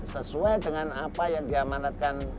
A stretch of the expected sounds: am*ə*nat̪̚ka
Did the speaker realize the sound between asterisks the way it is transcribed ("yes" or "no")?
no